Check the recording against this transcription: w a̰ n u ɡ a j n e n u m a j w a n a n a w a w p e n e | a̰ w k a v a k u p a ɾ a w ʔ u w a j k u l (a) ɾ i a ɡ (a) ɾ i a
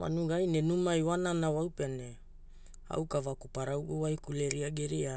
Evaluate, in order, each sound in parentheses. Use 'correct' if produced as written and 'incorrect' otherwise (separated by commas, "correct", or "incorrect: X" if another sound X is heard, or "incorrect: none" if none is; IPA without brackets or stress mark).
incorrect: e, incorrect: e